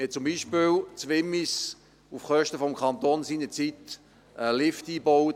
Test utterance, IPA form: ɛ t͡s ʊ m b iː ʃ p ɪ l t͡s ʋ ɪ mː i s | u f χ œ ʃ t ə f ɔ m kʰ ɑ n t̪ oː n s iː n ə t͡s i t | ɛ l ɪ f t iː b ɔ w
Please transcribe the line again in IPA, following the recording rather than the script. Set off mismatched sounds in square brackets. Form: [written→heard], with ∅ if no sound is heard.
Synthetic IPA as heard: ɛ t͡s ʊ m b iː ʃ p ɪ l t͡s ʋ ɪ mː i s | u f χ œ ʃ t ə f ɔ m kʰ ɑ n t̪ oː n s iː n ə t͡s i t | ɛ l ɪ f t iː b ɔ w